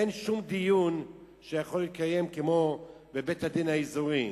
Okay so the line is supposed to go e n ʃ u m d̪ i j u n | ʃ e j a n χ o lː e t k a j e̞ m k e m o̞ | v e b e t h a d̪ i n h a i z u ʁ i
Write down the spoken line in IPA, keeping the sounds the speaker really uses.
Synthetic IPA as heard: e n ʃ u m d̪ i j u n | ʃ e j a χ o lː i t k a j e̞ m k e m o̞ | b e b e t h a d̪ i n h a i z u ʁ i